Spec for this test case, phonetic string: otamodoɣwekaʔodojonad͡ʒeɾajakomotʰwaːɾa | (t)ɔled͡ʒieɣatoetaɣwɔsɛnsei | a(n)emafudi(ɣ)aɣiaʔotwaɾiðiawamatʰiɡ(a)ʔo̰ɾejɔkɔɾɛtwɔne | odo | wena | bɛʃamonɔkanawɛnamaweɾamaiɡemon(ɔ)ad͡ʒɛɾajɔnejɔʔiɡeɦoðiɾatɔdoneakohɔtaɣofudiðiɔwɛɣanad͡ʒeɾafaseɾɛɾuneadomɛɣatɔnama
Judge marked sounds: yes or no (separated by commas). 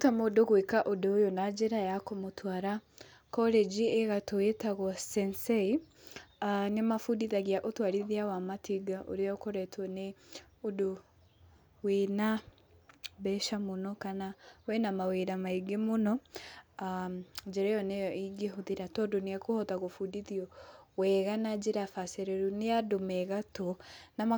no, yes, no, yes, yes